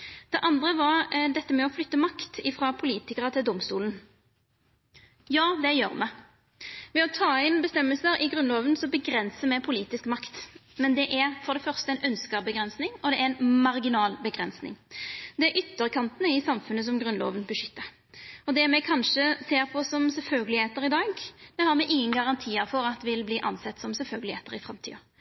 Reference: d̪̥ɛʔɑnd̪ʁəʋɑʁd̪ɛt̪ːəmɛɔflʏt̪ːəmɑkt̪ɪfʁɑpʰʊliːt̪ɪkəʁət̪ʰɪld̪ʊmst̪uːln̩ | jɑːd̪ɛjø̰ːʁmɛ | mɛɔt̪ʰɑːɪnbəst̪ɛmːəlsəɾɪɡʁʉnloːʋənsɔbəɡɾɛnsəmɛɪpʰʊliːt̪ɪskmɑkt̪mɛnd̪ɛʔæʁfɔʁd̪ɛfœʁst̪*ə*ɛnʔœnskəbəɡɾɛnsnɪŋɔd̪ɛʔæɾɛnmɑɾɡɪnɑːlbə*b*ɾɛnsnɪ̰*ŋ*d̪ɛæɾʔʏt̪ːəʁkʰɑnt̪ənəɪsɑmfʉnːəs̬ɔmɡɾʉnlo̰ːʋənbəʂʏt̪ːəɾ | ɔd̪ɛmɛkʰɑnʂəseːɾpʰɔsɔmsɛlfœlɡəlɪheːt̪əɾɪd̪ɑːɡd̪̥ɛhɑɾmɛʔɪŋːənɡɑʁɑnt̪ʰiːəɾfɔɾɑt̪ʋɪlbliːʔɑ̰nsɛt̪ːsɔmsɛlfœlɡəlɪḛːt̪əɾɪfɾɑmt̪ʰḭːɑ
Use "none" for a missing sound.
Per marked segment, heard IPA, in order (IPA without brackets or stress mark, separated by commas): ə, ɡ, ŋ